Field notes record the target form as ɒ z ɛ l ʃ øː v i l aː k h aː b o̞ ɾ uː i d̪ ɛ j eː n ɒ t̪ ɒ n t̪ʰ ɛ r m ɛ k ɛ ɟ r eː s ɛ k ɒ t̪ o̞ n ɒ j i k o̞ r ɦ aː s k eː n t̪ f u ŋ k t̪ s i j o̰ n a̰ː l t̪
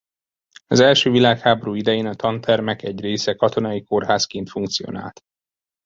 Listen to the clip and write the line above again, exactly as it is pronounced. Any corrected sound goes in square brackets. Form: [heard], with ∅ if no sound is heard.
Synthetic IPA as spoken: ɒ z ɛ l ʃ øː v i l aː k h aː b o̞ ɾ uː i d̪ ɛ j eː n ɒ t̪ ɒ n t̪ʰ ɛ r m ɛ k ɛ ɟ r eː s ɛ k ɒ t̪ o̞ n ɒ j i k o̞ r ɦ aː s k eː n t̪ f u ŋ k t̪ s i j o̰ n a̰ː l t̪

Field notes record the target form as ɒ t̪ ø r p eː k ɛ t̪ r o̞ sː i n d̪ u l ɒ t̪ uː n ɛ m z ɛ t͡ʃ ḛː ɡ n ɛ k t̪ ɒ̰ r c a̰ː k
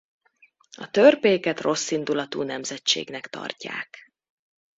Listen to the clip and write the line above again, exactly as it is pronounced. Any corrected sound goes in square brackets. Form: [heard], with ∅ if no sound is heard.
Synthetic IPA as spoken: ɒ t̪ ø r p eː k ɛ t̪ r o̞ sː i n d̪ u l ɒ t̪ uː n ɛ m z ɛ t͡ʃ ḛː ɡ n ɛ k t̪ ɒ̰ r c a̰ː k

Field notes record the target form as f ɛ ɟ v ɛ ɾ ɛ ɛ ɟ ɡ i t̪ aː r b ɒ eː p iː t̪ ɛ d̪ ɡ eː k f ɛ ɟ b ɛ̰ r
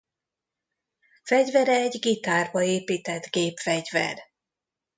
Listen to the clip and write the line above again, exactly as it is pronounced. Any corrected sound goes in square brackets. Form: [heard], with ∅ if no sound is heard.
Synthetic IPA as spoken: f ɛ ɟ v ɛ ɾ ɛ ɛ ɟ ɡ i t̪ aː r b ɒ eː p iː t̪ ɛ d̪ ɡ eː [p] f ɛ ɟ [v] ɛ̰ r

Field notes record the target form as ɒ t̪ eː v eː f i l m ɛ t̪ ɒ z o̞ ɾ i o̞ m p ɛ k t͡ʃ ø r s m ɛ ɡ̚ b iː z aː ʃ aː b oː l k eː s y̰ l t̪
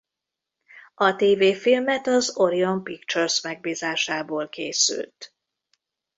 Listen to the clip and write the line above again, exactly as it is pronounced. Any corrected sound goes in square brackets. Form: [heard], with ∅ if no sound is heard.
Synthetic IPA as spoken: ɒ t̪ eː v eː f i l m ɛ t̪ ɒ z o̞ ɾ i o̞ m p [i] k t͡ʃ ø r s m ɛ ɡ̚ b iː z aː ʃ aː b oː l k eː s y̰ l t̪

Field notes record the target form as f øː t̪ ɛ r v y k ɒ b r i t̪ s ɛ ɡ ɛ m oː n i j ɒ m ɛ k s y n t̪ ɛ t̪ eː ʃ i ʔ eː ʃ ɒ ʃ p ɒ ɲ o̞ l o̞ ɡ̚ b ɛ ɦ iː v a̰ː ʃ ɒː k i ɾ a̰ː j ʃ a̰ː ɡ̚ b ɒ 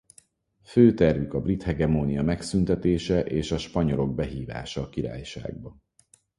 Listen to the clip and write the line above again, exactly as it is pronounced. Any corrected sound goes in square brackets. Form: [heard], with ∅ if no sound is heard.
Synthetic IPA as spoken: f øː t̪ ɛ r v y k ɒ b r i t̪ [h] ɛ ɡ ɛ m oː n i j ɒ m ɛ k s y n t̪ ɛ t̪ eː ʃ [ɛ] ʔ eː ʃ ɒ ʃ p ɒ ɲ o̞ l o̞ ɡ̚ b ɛ ɦ iː v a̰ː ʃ ɒː k i ɾ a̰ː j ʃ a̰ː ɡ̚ b ɒ

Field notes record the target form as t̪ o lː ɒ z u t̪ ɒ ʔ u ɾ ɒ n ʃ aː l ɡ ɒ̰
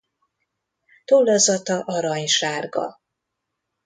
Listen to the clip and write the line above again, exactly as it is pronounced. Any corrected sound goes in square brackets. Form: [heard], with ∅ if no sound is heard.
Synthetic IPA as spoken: t̪ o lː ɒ z [ɒ] t̪ ɒ ʔ [ɒ] ɾ ɒ [ɲ] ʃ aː [r] ɡ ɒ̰

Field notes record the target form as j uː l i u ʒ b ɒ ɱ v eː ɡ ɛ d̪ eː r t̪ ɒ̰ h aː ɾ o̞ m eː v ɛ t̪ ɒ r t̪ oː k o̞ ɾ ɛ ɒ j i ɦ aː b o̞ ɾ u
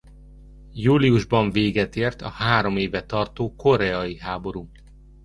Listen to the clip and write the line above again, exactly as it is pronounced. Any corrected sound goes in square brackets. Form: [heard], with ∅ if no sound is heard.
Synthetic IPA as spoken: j uː l i u ʒ b ɒ ɱ v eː ɡ ɛ [t̪] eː r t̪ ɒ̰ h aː ɾ o̞ m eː v ɛ t̪ ɒ r t̪ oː k o̞ ɾ ɛ ɒ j i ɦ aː b o̞ ɾ u

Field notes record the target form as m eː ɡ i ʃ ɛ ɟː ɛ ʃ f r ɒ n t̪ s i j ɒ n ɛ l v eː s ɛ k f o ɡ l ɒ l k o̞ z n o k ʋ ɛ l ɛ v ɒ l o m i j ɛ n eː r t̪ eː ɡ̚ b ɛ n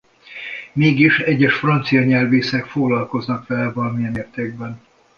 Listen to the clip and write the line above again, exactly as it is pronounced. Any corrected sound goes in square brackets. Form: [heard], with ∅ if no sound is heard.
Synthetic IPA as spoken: m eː ɡ i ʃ ɛ ɟː ɛ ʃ f r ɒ n t̪ s i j ɒ [ɲ] ɛ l v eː s ɛ k f o ɡ l ɒ l k o̞ z n [ɒ] k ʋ ɛ l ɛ v ɒ l [ɒ] m i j ɛ n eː r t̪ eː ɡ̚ b ɛ n

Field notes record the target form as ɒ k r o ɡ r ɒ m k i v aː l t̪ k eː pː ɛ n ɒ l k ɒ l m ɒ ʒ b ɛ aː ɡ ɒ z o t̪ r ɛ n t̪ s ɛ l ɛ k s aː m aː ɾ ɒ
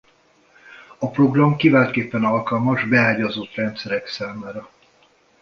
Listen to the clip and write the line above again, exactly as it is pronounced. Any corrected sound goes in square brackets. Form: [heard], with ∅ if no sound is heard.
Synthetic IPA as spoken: ɒ [p] r o ɡ r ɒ m k i v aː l t̪ k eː pː ɛ n ɒ l k ɒ l m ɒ ʒ b ɛ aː [ɟ] ɒ z o t̪ r ɛ n t̪ s ɛ [ɾ] ɛ k s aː m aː ɾ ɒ

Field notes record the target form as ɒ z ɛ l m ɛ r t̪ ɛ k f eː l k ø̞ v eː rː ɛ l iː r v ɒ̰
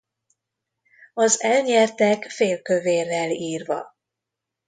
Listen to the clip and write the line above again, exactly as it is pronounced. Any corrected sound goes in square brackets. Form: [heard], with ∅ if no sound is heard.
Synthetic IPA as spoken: ɒ z ɛ l [ɲ] ɛ r t̪ ɛ k f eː l k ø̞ v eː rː ɛ l iː r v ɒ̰

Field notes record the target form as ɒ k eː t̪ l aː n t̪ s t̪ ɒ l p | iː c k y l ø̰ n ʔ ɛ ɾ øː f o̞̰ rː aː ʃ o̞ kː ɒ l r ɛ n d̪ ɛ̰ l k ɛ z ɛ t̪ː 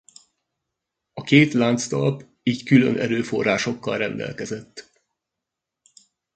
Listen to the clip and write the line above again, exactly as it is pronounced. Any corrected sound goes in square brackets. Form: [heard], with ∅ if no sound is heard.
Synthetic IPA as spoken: ɒ k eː t̪ l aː n t̪ s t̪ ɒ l p | iː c k y l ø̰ n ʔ ɛ ɾ øː f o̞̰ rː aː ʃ o̞ kː ɒ l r ɛ n d̪ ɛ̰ l k ɛ z ɛ t̪ː

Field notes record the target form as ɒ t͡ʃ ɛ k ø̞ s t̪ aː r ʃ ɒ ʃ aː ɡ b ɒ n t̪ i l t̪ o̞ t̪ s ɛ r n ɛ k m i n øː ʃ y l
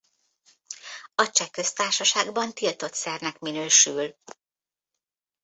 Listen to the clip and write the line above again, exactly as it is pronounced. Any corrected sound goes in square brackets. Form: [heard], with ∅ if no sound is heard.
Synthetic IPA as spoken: ɒ t͡ʃ ɛ k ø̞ s t̪ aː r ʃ ɒ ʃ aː ɡ b ɒ n t̪ i l t̪ o̞ t̪ s ɛ r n ɛ k m i n øː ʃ y l

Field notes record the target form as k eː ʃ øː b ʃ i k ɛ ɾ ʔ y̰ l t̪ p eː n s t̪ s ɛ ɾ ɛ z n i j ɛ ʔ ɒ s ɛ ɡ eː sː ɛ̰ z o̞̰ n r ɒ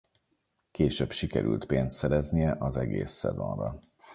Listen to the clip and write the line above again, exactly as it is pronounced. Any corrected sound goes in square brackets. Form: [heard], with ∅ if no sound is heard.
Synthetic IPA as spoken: k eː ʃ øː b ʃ i k ɛ ɾ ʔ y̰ l t̪ p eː n s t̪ s ɛ ɾ ɛ z n i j ɛ ʔ ɒ [z] ɛ ɡ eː sː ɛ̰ z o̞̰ n r ɒ

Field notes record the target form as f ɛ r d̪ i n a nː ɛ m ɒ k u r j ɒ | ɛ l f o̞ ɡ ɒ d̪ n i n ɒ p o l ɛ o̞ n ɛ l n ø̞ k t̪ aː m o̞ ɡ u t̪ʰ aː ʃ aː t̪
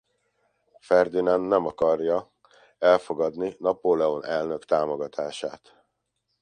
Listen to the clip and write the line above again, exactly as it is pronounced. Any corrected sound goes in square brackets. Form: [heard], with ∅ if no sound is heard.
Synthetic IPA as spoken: f ɛ r d̪ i n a nː ɛ m ɒ k [ɒ] r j ɒ | ɛ l f o̞ ɡ ɒ d̪ n i n ɒ p o l ɛ o̞ n ɛ l n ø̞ k t̪ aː m o̞ ɡ [ɒ] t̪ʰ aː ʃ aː t̪

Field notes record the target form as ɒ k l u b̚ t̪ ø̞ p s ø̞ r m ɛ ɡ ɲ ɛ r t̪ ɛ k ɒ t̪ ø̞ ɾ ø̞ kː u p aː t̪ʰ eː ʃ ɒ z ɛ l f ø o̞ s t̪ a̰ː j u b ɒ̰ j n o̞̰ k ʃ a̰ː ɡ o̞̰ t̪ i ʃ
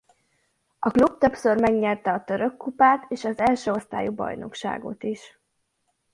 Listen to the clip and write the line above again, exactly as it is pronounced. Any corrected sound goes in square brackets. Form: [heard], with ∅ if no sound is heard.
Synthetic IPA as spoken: ɒ k l u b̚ t̪ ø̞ p s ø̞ r m ɛ ɡ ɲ ɛ r t̪ ɛ [∅] ɒ t̪ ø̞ ɾ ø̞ kː u p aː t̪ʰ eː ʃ ɒ z ɛ l [ʃ] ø o̞ s t̪ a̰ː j u b ɒ̰ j n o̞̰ k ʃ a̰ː ɡ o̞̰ t̪ i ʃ

